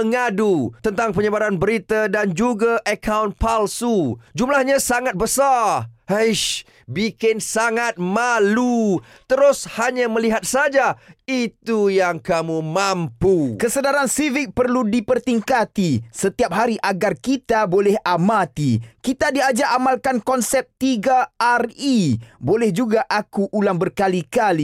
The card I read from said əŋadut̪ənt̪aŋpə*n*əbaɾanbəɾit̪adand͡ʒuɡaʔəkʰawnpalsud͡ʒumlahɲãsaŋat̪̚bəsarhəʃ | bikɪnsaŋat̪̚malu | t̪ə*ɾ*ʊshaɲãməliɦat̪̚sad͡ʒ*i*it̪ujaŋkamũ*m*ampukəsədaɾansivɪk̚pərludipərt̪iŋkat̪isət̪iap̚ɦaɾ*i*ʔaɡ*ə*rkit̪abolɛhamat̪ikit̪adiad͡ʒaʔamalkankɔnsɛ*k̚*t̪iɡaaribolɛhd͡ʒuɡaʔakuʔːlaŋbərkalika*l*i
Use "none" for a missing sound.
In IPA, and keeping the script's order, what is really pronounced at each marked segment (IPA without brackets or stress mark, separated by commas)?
ɲ, ɾ, a, m, i, a, p̚, l